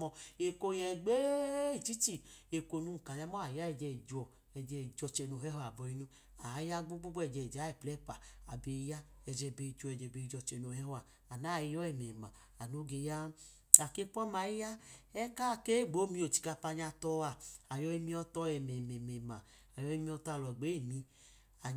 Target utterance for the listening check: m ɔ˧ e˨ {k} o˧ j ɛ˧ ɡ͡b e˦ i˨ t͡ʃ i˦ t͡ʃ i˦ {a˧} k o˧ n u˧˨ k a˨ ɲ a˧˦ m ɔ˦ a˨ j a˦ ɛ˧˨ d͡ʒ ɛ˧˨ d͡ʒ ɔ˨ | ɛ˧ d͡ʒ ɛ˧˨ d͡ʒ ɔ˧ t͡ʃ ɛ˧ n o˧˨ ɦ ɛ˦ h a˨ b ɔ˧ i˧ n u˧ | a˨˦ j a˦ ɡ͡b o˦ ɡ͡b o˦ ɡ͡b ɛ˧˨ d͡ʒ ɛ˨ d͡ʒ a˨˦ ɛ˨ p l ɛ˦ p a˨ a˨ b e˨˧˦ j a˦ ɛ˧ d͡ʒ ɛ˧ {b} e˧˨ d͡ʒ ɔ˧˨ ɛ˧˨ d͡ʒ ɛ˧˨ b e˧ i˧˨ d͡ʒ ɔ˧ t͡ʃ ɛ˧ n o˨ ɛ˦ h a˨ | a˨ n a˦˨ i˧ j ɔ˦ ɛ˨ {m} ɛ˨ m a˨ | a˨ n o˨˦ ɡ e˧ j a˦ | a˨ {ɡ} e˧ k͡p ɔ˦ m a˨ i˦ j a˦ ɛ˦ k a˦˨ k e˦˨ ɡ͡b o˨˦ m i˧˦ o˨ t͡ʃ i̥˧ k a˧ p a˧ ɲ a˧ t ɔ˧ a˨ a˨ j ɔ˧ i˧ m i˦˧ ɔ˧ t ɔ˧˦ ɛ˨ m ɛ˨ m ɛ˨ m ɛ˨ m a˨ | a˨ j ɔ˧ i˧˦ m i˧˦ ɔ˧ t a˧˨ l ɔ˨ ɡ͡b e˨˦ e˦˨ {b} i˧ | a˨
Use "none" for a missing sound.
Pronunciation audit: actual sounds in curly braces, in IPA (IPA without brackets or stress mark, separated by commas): k, e˧, b, m, k, m